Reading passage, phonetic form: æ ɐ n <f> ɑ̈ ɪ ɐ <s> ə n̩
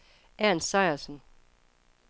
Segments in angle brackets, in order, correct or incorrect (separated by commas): incorrect, correct